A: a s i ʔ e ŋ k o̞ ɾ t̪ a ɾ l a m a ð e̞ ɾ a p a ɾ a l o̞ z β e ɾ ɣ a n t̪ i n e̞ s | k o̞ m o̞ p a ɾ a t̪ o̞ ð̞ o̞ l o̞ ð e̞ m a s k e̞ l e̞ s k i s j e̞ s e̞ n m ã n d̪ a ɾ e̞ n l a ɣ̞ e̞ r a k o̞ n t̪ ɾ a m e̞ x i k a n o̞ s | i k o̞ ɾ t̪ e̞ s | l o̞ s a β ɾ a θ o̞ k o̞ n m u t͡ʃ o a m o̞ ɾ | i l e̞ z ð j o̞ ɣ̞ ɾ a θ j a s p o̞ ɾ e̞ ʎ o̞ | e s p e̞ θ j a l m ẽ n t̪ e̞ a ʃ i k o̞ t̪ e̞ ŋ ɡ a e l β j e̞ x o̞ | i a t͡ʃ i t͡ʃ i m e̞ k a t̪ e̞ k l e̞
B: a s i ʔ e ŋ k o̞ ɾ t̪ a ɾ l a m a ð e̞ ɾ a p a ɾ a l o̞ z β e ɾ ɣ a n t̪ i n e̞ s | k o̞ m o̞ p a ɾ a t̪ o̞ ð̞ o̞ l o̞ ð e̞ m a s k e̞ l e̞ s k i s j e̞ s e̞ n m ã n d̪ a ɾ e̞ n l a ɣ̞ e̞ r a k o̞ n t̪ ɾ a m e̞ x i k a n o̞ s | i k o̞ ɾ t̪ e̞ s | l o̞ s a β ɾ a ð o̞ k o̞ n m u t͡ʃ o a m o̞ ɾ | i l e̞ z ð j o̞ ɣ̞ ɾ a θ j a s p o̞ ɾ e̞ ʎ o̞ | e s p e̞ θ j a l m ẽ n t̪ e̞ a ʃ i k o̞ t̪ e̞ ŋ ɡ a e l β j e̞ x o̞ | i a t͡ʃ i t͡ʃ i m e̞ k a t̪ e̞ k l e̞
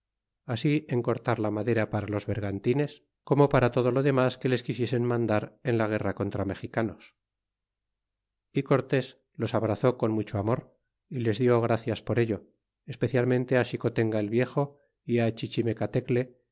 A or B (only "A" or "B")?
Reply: A